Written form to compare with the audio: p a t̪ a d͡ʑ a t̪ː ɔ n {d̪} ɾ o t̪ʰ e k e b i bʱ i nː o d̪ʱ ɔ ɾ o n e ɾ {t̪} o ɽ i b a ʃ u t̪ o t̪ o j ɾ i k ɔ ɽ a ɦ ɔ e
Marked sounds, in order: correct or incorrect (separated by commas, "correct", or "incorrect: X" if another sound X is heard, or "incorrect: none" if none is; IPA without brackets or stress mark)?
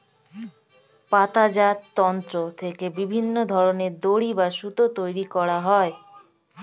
incorrect: t̪, incorrect: d̪